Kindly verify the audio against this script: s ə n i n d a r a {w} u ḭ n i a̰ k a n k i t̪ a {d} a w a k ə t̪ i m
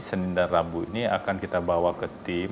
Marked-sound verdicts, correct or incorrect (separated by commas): incorrect, incorrect